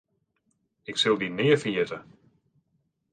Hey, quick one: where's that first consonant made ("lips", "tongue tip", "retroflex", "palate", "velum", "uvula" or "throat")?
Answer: velum